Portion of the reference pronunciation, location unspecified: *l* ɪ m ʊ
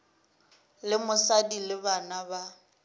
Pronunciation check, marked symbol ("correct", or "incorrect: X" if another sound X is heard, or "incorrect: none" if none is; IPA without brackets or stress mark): correct